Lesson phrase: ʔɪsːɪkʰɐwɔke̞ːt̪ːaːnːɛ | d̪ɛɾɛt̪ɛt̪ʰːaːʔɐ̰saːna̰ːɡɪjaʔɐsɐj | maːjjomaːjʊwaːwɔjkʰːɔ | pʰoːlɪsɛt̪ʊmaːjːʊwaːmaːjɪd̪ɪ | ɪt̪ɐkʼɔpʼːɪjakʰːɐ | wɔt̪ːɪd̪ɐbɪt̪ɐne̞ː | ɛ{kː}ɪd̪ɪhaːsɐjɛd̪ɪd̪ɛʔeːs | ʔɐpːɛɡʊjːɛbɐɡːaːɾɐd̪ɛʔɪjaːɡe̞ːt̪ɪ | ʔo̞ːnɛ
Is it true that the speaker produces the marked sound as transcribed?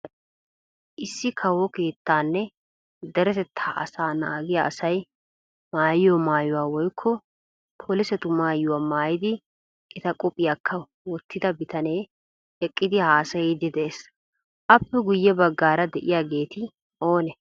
no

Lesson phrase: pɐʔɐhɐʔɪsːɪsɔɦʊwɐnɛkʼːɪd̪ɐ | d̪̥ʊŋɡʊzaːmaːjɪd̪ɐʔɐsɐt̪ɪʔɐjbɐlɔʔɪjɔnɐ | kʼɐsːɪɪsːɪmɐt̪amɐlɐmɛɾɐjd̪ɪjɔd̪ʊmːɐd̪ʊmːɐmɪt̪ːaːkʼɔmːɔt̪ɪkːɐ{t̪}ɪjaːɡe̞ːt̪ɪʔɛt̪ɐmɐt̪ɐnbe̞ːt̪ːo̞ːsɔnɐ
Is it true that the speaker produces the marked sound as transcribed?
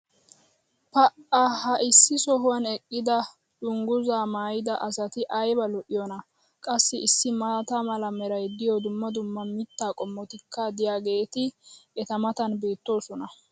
no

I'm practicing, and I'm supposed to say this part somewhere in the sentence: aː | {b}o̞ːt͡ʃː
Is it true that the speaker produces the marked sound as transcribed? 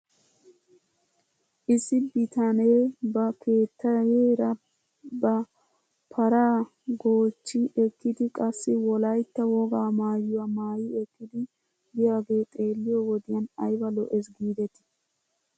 no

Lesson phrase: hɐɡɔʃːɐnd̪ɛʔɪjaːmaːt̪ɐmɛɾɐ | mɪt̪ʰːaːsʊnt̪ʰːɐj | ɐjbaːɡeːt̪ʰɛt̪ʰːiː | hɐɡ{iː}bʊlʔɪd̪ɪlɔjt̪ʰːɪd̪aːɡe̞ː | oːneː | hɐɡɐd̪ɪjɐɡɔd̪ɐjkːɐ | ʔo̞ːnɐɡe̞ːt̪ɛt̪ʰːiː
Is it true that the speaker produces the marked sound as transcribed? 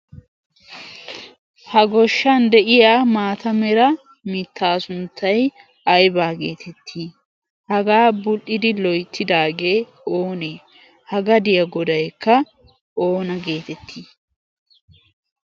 no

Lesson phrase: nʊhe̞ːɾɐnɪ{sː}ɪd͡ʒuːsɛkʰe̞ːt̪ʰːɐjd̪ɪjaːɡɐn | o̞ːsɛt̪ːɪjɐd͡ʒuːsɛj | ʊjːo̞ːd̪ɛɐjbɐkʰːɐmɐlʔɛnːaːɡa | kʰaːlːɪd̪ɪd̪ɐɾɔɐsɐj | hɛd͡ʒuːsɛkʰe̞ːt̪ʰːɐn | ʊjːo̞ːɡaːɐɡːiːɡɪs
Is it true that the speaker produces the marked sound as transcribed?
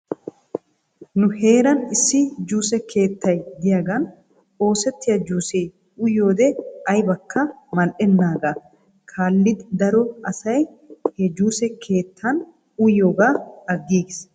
yes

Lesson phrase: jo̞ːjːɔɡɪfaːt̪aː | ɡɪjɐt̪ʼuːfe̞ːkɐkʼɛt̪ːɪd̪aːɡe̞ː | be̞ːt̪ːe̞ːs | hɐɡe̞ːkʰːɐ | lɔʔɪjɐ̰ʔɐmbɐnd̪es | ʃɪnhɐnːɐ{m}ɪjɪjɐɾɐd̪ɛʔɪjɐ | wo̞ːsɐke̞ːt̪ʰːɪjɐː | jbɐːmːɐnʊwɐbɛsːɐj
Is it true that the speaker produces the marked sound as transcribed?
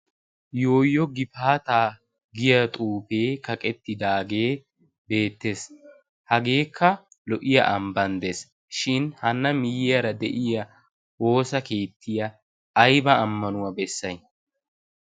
yes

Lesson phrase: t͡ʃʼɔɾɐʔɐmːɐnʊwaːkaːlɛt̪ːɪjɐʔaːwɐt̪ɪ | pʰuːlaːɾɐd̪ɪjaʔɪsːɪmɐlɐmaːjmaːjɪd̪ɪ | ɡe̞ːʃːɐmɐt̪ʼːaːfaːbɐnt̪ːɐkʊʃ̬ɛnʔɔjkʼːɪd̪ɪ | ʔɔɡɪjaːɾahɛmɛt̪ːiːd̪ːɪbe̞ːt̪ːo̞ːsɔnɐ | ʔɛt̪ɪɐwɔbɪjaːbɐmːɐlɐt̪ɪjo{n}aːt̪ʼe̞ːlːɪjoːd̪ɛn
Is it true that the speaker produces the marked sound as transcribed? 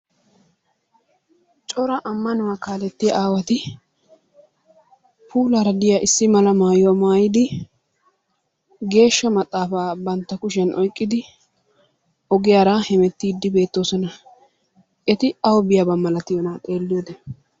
yes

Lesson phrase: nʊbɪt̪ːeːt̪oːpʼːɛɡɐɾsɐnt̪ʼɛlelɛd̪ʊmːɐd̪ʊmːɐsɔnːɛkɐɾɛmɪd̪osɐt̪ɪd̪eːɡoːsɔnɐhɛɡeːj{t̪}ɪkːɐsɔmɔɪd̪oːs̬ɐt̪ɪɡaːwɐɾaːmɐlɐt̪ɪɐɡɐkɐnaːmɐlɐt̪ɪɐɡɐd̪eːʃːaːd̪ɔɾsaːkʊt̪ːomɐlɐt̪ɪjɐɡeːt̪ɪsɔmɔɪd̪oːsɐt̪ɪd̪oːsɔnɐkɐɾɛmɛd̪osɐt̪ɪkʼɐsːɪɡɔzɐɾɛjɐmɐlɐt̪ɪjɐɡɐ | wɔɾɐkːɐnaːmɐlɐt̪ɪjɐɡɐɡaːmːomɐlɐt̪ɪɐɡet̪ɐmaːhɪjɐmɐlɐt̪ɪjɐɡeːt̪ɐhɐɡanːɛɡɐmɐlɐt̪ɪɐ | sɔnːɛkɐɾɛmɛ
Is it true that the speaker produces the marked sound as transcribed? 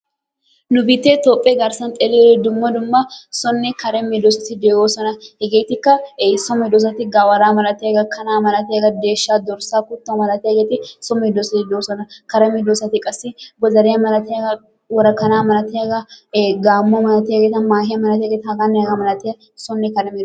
yes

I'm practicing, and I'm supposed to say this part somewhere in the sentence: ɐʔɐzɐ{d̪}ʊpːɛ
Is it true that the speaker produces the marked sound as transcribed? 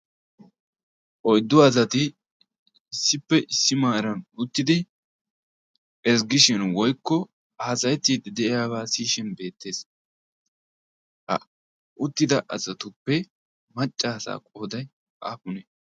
no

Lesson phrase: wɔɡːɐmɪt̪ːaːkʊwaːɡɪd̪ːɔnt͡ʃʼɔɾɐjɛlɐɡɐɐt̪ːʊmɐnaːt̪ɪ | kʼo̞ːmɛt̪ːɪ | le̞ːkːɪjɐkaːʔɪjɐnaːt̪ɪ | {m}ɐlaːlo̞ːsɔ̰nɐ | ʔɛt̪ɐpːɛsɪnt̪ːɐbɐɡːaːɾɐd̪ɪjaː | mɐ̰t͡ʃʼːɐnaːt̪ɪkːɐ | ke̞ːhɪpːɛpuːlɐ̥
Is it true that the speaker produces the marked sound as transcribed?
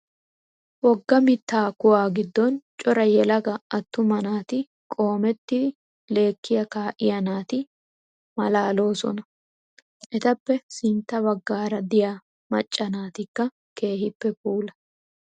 yes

